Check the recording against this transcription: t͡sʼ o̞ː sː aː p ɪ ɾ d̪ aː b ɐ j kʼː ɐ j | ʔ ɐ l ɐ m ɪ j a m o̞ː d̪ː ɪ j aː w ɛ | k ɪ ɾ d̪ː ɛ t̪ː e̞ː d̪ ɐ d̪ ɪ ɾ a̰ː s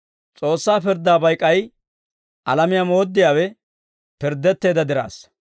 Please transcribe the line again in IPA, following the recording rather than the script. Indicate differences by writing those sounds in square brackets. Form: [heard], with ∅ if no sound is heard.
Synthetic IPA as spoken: t͡sʼ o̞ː sː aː p ɪ ɾ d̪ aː b ɐ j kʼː ɐ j | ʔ ɐ l ɐ m ɪ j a m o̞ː d̪ː ɪ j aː w ɛ | [p] ɪ ɾ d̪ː ɛ t̪ː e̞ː d̪ ɐ d̪ ɪ ɾ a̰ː s